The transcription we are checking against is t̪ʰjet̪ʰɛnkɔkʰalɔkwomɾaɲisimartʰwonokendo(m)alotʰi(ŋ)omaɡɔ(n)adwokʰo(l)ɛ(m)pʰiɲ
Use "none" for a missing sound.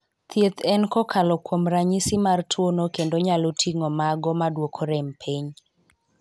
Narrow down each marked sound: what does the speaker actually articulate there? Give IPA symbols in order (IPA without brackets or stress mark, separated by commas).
ɲ, ŋ, m, ɾ, m